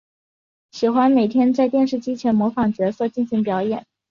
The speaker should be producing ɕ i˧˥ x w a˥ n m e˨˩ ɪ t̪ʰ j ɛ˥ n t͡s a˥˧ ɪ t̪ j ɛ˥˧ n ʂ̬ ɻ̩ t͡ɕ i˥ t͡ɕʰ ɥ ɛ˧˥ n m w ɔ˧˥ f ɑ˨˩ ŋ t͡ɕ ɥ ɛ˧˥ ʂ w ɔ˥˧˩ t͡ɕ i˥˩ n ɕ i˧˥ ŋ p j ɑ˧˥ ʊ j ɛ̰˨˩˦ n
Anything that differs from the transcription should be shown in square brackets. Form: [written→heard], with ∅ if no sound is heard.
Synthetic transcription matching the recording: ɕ [i˧˥→i˨˩] x w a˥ n m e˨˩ ɪ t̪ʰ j ɛ˥ n t͡s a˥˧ ɪ t̪ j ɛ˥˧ n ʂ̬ ɻ̩ t͡ɕ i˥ t͡ɕʰ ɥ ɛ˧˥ n m w ɔ˧˥ f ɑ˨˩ ŋ t͡ɕ ɥ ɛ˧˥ [ʂ→s] w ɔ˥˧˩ t͡ɕ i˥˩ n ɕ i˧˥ ŋ p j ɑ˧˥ ʊ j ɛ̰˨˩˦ n

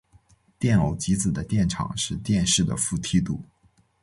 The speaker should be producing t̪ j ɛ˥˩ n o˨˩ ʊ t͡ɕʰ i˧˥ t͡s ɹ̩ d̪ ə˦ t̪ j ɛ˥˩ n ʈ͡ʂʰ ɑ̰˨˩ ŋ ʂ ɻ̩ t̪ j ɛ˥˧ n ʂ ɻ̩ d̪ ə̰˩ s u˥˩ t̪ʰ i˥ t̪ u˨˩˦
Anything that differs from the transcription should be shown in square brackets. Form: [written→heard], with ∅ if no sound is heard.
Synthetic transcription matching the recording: t̪ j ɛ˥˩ n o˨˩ ʊ [t͡ɕʰ→t͡ɕ] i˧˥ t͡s ɹ̩ d̪ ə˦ t̪ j ɛ˥˩ n ʈ͡ʂʰ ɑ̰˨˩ ŋ ʂ ɻ̩ t̪ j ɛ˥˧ n ʂ ɻ̩ d̪ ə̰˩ [s→f] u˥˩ t̪ʰ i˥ t̪ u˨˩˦

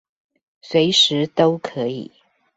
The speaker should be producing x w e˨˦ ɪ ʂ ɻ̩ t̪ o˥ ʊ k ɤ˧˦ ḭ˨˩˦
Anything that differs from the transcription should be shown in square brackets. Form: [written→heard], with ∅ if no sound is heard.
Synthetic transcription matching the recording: [x→s] w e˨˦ ɪ ʂ ɻ̩ t̪ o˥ ʊ [k→kʰ] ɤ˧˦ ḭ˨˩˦

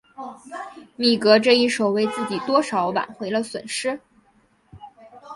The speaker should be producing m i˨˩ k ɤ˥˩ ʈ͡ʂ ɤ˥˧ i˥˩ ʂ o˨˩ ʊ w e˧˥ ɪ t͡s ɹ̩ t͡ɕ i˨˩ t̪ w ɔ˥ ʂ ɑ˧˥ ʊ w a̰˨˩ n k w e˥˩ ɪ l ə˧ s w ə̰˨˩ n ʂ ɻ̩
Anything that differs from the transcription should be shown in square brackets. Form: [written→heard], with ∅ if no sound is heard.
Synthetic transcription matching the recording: m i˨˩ k [ɤ˥˩→ɤ˧˥] ʈ͡ʂ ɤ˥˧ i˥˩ ʂ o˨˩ ʊ w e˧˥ ɪ t͡s ɹ̩ t͡ɕ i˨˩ t̪ w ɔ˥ ʂ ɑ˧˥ ʊ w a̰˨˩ n [k→x] w [e˥˩→e˧˥] ɪ l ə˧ s w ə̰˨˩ n ʂ ɻ̩

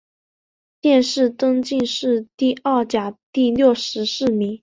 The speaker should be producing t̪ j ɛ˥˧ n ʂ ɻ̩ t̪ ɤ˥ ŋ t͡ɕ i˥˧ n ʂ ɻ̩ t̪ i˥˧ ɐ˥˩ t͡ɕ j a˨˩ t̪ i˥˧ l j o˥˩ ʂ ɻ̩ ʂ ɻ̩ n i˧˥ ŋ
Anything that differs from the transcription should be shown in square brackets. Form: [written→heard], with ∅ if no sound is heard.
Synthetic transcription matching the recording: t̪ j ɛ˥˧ n ʂ ɻ̩ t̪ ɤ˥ ŋ t͡ɕ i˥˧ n ʂ ɻ̩ t̪ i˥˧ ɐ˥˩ t͡ɕ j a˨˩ t̪ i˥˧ l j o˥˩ ʂ ɻ̩ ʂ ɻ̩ [n→m] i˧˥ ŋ

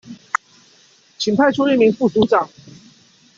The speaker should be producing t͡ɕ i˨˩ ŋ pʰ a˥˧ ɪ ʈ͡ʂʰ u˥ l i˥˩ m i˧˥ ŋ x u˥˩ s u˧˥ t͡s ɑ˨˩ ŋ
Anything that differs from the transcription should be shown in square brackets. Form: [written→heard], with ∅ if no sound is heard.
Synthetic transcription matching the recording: [t͡ɕ→t͡ɕʰ] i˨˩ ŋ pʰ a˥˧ ɪ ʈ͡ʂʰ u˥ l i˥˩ m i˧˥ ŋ [x→f] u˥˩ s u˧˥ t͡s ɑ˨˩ ŋ

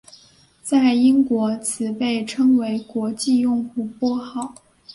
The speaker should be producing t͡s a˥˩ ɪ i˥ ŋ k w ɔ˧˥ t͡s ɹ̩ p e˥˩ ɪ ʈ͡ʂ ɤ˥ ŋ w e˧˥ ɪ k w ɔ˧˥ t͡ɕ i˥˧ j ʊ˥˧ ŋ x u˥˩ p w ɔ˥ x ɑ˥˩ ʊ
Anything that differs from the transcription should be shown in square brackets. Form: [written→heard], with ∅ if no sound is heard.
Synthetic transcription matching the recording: t͡s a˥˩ ɪ i˥ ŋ k w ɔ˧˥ [t͡s→t͡sʰ] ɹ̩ p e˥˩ ɪ [ʈ͡ʂ→ʈ͡ʂʰ] ɤ˥ ŋ w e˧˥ ɪ k w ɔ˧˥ t͡ɕ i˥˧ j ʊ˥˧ ŋ x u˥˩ p w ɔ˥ x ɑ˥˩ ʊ

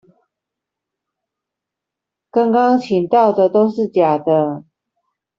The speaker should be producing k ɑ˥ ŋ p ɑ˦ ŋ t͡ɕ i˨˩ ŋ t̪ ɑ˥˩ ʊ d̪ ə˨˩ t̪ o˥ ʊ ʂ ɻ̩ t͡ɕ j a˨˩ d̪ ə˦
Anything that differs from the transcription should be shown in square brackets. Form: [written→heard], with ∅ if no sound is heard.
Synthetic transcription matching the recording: k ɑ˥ ŋ [p→k] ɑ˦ ŋ [t͡ɕ→t͡ɕʰ] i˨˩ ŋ t̪ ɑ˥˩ ʊ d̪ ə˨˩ t̪ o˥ ʊ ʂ ɻ̩ t͡ɕ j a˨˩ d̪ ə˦

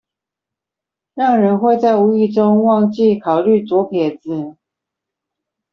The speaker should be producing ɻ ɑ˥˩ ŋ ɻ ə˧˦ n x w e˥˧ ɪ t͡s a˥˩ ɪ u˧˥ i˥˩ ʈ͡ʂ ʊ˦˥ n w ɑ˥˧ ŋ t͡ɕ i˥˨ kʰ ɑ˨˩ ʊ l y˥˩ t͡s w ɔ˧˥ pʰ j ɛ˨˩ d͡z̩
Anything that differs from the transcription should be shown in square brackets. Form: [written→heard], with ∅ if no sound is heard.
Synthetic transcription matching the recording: ɻ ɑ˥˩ ŋ ɻ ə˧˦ n x w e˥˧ ɪ t͡s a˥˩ ɪ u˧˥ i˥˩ ʈ͡ʂ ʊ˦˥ [n→ŋ] w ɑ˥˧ ŋ t͡ɕ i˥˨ kʰ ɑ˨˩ ʊ l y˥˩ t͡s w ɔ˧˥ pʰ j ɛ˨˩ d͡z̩

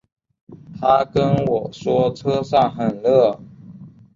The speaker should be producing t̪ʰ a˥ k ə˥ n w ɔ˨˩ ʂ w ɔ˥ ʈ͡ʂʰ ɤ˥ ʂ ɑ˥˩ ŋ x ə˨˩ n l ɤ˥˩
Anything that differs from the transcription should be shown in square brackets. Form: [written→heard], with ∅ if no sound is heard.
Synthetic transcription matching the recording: t̪ʰ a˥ k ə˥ n w ɔ˨˩ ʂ w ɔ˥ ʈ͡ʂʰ ɤ˥ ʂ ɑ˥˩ ŋ x ə˨˩ n l ɤ˥˩

